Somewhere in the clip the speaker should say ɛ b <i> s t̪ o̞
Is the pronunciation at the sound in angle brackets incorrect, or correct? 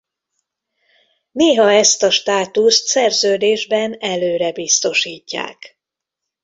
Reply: correct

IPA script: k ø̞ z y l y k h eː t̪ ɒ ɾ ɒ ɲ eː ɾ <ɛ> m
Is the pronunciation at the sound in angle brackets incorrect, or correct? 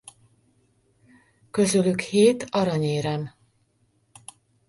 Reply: correct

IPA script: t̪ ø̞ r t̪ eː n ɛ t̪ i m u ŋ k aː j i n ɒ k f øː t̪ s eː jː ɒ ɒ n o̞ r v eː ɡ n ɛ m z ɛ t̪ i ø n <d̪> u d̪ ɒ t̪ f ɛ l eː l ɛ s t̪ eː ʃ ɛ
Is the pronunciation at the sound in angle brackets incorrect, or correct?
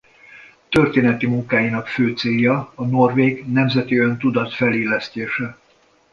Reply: incorrect: t̪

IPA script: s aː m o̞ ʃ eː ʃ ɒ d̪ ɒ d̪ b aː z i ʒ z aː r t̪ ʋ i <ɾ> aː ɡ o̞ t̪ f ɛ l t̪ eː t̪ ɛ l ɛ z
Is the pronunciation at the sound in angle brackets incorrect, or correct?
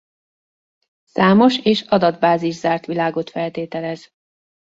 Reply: incorrect: l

